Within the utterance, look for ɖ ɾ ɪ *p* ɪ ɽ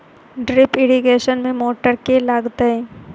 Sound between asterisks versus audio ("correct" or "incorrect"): correct